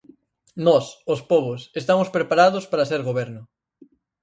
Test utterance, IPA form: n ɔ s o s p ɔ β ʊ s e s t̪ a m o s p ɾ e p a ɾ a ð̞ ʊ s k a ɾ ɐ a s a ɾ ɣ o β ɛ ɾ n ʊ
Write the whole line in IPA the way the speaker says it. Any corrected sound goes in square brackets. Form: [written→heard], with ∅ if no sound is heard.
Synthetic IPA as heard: n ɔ s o s p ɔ β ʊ s e s t̪ a m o s p ɾ e p a ɾ a ð̞ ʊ s [k→p] a ɾ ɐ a s [a→e] ɾ ɣ o β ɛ ɾ n ʊ